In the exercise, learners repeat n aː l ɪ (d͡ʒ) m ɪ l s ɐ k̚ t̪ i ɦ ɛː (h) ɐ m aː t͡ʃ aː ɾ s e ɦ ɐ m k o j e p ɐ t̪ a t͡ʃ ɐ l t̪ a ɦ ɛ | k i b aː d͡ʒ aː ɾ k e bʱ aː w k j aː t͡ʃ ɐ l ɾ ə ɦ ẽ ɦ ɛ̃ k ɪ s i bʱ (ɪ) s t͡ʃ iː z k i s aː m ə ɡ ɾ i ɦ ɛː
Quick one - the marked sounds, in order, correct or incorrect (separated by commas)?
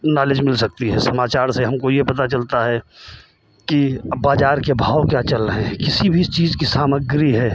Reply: correct, incorrect, incorrect